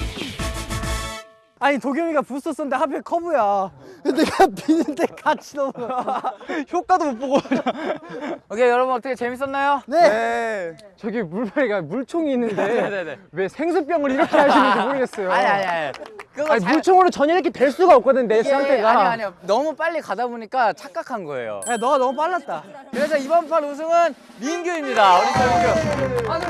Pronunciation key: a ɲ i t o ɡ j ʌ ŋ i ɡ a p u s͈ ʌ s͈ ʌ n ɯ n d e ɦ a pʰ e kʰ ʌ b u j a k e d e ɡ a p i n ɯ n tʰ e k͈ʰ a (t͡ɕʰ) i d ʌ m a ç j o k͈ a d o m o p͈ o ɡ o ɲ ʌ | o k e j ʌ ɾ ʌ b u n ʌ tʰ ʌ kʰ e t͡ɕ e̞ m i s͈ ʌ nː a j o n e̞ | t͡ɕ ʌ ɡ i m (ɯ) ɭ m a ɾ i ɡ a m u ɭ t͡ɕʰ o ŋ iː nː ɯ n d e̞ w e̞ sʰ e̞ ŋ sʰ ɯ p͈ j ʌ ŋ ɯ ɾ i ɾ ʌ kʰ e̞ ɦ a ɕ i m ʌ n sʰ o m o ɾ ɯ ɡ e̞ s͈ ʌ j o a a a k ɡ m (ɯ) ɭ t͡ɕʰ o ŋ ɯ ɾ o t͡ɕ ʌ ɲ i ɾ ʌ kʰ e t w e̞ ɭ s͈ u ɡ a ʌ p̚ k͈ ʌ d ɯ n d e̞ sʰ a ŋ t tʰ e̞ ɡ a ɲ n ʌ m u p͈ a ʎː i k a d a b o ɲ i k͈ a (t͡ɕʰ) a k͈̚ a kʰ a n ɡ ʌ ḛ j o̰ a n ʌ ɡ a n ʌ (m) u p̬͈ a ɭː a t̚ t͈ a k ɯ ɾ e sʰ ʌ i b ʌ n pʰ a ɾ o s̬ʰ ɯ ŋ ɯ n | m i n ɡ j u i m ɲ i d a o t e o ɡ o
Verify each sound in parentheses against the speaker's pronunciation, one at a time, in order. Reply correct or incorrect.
correct, incorrect, incorrect, correct, correct

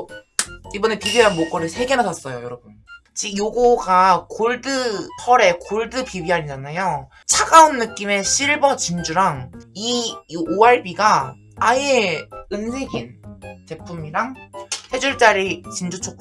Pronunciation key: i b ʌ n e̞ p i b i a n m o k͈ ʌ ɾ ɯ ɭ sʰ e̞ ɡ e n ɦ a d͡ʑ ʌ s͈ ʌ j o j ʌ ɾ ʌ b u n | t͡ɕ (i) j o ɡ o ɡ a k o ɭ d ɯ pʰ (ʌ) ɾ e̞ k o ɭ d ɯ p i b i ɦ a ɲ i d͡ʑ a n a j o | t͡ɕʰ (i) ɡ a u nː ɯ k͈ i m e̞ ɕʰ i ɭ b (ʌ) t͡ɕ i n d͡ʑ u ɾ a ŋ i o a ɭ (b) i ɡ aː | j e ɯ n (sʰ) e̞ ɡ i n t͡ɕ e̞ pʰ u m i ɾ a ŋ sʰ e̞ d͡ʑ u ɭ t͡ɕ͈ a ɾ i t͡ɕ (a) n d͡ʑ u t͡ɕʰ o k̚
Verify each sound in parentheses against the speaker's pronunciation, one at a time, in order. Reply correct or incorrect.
correct, correct, incorrect, correct, correct, correct, incorrect

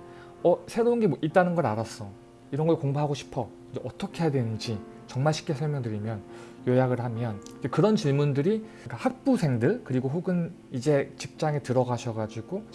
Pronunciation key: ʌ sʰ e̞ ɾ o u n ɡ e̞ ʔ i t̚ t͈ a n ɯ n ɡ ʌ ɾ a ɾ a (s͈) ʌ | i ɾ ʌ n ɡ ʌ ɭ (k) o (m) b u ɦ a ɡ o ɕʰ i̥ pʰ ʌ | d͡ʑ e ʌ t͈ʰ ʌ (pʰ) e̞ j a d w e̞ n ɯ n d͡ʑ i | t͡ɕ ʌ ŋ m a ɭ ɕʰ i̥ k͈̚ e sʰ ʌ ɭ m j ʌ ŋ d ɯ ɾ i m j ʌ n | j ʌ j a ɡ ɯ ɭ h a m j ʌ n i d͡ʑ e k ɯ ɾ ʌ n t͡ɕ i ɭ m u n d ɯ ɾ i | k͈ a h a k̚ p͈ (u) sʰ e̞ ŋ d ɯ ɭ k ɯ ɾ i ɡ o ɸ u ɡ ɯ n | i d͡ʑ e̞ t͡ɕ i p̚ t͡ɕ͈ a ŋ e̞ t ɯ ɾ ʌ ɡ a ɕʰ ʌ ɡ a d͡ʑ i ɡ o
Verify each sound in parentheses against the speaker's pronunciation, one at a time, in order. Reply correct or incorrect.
correct, correct, incorrect, incorrect, correct

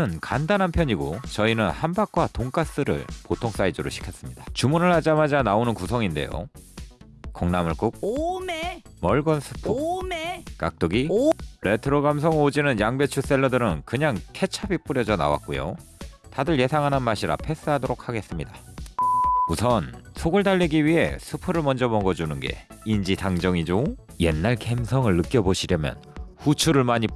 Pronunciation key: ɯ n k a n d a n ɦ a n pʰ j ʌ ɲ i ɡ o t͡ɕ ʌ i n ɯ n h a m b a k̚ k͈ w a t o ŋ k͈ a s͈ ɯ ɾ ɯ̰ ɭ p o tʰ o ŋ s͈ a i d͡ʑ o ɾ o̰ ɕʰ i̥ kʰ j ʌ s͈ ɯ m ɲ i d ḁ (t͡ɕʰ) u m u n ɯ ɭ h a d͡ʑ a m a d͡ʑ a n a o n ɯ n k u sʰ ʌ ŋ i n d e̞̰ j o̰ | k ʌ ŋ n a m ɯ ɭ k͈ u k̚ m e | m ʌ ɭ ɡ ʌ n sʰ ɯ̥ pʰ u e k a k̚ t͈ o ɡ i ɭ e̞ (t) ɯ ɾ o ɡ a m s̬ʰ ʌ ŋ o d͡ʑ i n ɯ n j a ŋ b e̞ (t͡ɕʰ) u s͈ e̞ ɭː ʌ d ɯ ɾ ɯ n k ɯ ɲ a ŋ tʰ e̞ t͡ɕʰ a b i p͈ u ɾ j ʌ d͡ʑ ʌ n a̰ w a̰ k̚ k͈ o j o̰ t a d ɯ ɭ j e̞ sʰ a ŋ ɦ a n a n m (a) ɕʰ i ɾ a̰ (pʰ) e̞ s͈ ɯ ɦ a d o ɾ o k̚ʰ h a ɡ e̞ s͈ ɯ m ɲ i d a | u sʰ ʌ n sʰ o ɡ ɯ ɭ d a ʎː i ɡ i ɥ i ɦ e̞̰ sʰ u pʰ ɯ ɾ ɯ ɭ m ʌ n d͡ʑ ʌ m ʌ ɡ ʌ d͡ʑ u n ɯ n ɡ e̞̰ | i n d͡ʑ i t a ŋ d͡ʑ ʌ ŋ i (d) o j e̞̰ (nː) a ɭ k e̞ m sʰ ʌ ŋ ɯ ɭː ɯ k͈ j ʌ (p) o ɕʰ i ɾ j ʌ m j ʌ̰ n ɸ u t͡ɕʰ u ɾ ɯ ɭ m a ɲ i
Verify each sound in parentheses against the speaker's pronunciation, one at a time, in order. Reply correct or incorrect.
incorrect, incorrect, correct, correct, correct, incorrect, correct, incorrect

